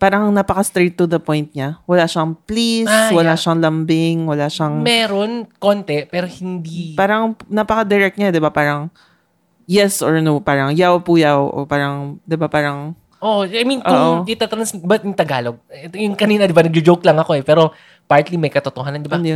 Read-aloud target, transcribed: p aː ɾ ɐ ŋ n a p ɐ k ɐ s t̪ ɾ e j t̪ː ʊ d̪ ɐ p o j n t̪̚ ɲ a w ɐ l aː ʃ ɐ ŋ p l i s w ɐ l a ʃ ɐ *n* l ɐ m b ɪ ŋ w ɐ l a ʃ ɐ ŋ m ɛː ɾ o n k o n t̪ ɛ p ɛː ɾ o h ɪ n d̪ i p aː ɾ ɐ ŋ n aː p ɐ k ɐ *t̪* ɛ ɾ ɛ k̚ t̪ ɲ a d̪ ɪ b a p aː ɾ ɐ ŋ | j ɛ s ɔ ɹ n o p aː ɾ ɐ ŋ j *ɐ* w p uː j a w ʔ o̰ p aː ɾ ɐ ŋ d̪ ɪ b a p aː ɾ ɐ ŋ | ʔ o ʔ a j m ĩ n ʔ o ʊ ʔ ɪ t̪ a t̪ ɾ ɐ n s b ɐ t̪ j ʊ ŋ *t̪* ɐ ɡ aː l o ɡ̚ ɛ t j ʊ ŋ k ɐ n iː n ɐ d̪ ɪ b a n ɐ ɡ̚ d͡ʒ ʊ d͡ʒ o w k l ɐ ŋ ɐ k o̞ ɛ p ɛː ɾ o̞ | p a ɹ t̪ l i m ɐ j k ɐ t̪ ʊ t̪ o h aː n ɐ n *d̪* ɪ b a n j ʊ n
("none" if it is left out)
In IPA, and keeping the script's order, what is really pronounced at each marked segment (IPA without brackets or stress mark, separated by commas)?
ŋ, d̪, a, t̪, d̪